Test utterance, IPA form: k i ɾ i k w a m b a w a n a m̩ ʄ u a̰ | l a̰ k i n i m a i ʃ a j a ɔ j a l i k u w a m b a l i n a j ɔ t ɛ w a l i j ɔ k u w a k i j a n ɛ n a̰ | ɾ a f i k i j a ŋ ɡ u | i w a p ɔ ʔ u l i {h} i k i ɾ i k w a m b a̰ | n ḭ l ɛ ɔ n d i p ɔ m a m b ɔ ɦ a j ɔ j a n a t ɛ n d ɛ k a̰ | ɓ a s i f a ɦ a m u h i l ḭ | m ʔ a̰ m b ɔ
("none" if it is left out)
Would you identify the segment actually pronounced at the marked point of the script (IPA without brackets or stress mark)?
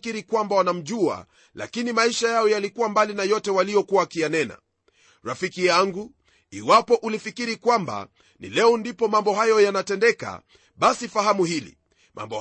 f